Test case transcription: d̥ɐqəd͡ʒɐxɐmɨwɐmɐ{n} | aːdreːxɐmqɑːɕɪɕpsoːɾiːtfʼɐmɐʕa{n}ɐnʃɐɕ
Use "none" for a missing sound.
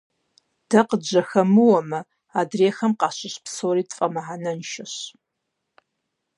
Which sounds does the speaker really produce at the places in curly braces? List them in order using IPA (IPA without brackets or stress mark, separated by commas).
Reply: none, n